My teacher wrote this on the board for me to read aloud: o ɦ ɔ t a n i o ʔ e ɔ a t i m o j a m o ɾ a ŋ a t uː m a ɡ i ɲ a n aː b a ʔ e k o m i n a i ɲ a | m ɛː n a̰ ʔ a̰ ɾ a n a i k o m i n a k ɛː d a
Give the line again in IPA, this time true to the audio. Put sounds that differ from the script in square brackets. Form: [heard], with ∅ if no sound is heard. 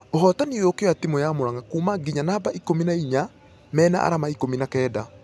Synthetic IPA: o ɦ ɔ t a n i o [k] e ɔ a t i m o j a m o ɾ a ŋ a [k] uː m a ɡ i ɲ a n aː b a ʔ [i] k o m i n a i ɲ a | m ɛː n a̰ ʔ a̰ ɾ a [m] a i k o m i n a k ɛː d a

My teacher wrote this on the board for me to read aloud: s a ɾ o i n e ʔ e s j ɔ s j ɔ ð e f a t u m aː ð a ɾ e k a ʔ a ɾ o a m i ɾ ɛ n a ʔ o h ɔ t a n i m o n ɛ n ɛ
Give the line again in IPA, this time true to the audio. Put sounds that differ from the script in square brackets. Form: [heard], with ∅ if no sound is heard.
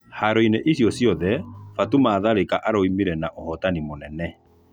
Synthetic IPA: [h] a ɾ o i n e ʔ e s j ɔ s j ɔ ð [ɛ] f a t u m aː ð a ɾ e k a ʔ a ɾ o [i] m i ɾ ɛ n a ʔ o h ɔ t a n i m o n ɛ n ɛ

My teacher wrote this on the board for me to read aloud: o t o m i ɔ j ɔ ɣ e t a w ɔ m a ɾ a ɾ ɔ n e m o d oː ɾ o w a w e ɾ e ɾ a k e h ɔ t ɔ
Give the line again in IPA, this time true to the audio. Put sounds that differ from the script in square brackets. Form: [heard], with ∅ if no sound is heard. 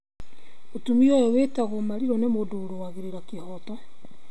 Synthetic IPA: o t [u] m i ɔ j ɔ [w] e t a [ɣ] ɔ m a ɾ [i] ɾ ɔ n e m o d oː ɾ o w a [ɣ] e ɾ e ɾ a k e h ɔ t ɔ

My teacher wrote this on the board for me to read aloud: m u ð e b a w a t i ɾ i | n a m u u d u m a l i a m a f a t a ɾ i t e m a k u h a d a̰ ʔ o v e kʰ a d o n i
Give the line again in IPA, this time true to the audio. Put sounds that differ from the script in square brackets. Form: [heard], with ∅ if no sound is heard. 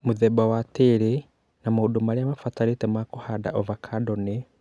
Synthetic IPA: m u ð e b a w a t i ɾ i | n a m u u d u m a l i a m a f a t a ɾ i t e m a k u h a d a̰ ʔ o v [a] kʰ a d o n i

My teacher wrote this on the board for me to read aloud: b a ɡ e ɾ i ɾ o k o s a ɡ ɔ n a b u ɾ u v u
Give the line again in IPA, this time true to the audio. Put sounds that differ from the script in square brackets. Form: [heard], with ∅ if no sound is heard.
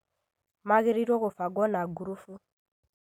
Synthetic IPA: [m] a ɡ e ɾ i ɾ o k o [f] a ɡ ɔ n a [ɡ] u ɾ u [f] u

